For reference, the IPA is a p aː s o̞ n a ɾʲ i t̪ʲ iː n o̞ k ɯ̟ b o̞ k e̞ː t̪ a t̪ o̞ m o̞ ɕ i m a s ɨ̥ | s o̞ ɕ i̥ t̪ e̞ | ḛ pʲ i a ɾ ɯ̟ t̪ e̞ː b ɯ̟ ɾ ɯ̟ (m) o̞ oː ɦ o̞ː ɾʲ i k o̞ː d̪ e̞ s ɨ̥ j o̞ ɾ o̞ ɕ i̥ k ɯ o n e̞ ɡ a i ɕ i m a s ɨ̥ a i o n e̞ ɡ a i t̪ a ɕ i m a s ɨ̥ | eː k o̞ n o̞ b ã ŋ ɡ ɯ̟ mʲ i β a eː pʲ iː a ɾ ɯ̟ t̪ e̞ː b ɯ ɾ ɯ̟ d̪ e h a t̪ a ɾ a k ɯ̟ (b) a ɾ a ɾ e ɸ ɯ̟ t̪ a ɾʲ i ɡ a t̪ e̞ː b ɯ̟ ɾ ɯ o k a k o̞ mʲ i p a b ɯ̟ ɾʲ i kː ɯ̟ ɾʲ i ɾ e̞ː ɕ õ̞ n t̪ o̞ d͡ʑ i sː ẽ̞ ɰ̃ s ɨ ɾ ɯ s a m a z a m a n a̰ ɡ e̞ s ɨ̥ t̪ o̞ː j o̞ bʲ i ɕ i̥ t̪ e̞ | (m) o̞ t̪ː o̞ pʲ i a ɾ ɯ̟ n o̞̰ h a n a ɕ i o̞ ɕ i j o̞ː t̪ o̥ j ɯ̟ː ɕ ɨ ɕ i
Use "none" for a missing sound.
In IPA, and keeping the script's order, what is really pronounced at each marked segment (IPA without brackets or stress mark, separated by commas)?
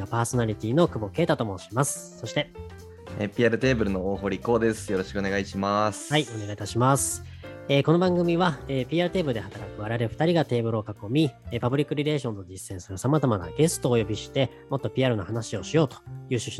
n, β, m